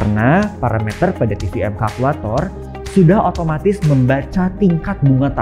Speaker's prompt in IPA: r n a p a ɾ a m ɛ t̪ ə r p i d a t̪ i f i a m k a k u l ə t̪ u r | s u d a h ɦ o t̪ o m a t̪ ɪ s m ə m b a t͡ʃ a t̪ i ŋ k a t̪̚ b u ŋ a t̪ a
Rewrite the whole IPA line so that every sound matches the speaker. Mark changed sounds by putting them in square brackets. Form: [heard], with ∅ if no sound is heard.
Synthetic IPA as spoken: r n a p a ɾ a m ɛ t̪ ə r p [a] d a t̪ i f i [ɛ] m k a k u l [a] t̪ [ɔ] r | s u d a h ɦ o t̪ o m a t̪ ɪ s m ə m b a t͡ʃ a t̪ i ŋ k a t̪̚ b u ŋ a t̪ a

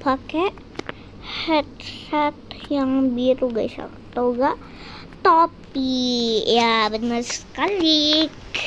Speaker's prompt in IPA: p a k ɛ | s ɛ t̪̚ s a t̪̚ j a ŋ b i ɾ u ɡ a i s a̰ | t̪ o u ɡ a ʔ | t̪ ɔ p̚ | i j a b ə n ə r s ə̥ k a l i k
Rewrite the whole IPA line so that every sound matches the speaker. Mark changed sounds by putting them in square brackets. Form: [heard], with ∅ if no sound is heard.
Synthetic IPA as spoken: p a k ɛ | [h] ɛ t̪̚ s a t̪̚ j a ŋ b i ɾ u ɡ a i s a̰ | t̪ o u ɡ a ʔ | t̪ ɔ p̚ | i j a b ə n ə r s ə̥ k a l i k

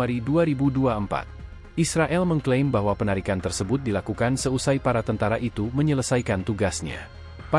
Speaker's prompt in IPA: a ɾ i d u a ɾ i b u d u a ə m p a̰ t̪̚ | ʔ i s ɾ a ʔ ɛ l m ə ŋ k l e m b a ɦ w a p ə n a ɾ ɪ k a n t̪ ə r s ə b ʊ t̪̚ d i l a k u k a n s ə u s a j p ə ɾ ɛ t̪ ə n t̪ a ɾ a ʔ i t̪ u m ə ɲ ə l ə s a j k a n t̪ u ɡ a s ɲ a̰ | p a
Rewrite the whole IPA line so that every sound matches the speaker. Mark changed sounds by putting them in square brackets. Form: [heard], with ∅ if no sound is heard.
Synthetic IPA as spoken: a ɾ i d u a ɾ i b u d u a ə m p a̰ t̪̚ | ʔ i s ɾ a ʔ ɛ l m ə ŋ k l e m b a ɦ w a p ə n a ɾ [i] k a n t̪ ə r s ə b ʊ t̪̚ d i l a k u k a n s ə u s a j p [a] ɾ [a] t̪ ə n t̪ a ɾ a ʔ i t̪ u m ə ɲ ə l ə s a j k a n t̪ u ɡ a s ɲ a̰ | p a

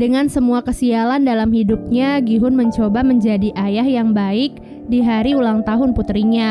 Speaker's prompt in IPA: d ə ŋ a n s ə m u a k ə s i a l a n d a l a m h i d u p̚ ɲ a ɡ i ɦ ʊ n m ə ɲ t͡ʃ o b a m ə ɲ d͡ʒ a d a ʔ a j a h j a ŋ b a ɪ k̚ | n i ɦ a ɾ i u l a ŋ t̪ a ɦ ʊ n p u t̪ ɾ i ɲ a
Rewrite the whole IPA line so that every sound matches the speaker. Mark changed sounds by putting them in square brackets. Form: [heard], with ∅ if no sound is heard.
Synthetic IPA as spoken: d ə ŋ a n s ə m u a k ə s i a l a n d a l a m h i d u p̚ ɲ a ɡ i ɦ ʊ n m ə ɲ t͡ʃ o b a m ə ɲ d͡ʒ a d [i] ʔ a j a h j a ŋ b a ɪ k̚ | [d] i ɦ a ɾ i u l a ŋ t̪ a ɦ ʊ n p u t̪ ɾ i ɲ a

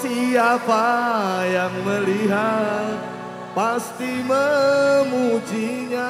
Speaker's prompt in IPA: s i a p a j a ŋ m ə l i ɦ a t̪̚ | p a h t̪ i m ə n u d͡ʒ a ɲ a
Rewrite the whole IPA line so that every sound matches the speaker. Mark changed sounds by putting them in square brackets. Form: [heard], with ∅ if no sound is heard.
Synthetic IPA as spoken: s i a p a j a ŋ m ə l i ɦ a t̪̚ | p a [s] t̪ i m ə [m] u d͡ʒ [i] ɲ a

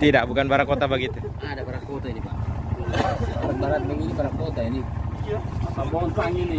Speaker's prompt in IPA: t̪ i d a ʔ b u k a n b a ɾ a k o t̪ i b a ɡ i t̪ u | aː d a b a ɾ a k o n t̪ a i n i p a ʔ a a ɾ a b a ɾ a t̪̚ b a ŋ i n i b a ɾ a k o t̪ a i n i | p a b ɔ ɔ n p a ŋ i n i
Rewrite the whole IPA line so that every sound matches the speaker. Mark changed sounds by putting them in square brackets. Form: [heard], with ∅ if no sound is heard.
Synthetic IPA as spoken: t̪ i d a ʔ b u k a n b a ɾ a k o t̪ [a] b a ɡ i t̪ u | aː d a b a ɾ a k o [∅] t̪ a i n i p a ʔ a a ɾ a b a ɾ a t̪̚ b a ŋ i n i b a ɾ a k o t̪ a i n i | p a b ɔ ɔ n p a ŋ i n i

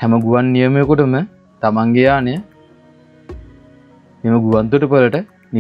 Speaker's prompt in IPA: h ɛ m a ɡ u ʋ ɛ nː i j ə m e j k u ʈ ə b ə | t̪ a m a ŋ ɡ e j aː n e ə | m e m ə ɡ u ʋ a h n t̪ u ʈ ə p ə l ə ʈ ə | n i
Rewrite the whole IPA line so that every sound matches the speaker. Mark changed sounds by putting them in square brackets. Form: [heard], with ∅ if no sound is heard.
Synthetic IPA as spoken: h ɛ m [ə] ɡ u ʋ [a] nː i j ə m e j k u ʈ ə [m] ə | t̪ a m a ŋ ɡ e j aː n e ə | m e m ə ɡ u ʋ a [∅] n t̪ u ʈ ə p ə l ə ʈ ə | n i

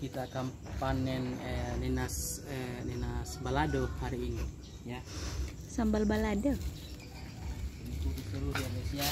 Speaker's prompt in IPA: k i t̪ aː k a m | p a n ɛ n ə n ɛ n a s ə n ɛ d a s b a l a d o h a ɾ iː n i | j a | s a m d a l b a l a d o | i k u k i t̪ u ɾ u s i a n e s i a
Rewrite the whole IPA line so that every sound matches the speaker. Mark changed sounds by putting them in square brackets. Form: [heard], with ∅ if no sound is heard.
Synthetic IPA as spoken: k i t̪ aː k a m | p a n ɛ n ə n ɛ n a s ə n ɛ [n] a s b a l a d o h a ɾ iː n i | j a | s a m [b] a l b a l a d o | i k u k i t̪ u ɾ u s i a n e s i a

